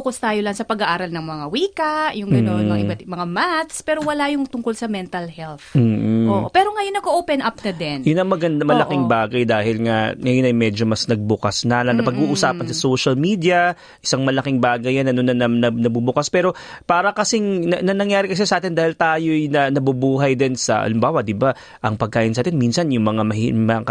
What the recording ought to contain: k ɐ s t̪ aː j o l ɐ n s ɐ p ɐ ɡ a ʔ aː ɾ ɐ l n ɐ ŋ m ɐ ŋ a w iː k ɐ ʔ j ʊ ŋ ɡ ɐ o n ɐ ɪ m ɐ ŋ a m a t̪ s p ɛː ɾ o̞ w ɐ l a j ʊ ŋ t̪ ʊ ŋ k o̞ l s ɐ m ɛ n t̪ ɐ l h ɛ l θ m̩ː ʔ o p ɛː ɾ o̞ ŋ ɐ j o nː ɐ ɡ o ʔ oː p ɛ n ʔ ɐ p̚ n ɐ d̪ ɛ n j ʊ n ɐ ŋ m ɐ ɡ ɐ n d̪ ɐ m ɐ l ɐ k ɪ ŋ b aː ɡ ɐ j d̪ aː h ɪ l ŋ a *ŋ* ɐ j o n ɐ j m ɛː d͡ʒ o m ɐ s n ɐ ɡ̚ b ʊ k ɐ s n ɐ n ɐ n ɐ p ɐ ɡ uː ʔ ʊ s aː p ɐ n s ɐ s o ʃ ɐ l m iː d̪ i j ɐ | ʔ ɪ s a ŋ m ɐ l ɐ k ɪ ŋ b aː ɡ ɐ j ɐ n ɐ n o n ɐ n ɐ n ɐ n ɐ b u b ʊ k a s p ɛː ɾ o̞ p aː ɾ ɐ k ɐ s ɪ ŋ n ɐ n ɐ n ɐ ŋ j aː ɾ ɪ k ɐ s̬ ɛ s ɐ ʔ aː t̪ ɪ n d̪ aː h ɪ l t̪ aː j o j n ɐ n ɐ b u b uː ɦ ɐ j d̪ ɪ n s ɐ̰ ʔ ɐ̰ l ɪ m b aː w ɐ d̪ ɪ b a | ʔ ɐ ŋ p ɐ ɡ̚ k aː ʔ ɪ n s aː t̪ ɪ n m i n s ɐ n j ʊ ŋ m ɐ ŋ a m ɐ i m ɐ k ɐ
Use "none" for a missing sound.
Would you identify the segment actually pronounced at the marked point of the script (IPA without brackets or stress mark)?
ŋ